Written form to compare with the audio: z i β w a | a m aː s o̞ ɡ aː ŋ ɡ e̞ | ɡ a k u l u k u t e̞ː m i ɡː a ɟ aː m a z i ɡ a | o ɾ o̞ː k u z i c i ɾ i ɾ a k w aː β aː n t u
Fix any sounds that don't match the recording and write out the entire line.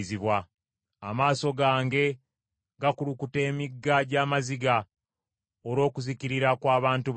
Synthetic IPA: z i β w a | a m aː s o̞ ɡ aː ŋ ɡ e̞ | ɡ a k u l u k u t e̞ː m i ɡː a ɟ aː m a z i ɡ a | o ɾ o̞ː k u z i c i ɾ i ɾ a k w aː β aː n t u